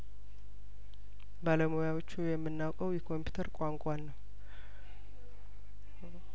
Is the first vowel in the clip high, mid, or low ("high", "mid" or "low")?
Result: low